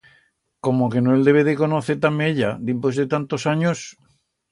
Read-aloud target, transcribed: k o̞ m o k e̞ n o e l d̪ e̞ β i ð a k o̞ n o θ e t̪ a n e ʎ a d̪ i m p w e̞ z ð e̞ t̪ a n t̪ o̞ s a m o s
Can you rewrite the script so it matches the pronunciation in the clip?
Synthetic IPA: k o̞ m o k e̞ n o e l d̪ e̞ β e ð e k o̞ n o θ e t̪ a m e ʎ a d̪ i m p w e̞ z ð e̞ t̪ a n t̪ o̞ s a ɲ o s